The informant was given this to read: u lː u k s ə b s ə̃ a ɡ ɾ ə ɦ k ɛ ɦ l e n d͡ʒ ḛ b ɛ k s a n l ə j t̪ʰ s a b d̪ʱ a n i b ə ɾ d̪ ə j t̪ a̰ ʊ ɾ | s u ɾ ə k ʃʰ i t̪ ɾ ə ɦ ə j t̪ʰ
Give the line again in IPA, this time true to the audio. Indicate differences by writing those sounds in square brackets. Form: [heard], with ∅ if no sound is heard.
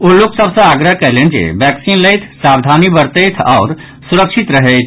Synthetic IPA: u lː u k s ə b s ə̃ a ɡ ɾ ə ɦ k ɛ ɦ l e n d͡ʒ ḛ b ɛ k s [i] n l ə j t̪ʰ s a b d̪ʱ a n i b ə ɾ [t̪] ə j [t̪ʰ] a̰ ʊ ɾ | s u ɾ ə k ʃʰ i t̪ ɾ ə ɦ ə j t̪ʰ